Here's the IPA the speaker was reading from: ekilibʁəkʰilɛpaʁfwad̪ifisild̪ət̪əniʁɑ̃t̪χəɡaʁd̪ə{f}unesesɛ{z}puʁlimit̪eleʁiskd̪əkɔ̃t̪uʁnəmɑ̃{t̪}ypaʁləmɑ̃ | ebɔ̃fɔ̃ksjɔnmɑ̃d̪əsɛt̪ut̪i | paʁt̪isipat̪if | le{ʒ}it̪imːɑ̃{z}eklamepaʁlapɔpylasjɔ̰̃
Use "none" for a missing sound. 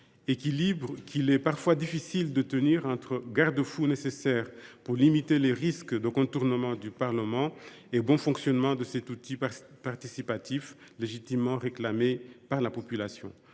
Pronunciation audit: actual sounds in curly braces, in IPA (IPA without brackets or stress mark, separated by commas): f, ʁ, d̪, ʒ, ʁ